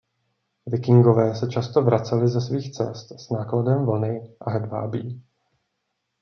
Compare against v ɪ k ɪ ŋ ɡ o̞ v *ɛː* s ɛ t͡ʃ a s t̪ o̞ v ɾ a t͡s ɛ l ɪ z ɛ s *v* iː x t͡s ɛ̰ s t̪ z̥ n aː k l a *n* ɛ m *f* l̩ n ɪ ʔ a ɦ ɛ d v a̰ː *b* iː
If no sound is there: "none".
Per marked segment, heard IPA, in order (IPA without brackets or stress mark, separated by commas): ɛː, v, d, v, b